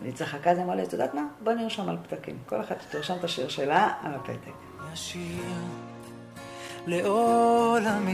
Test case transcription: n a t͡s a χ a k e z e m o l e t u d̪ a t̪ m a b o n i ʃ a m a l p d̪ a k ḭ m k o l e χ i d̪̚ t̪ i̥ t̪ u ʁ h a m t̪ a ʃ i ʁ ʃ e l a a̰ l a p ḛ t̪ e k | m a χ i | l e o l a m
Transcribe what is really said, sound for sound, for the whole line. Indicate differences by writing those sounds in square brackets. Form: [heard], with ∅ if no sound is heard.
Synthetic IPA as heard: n [i] t͡s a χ a k [a] z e m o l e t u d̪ a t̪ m a b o n i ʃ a m a l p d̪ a k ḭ m k o l e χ [a] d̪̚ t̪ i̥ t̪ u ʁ [ʃ] a m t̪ a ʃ i ʁ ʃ e l a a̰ l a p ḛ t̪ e k | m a [ʃ] i | l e o l a m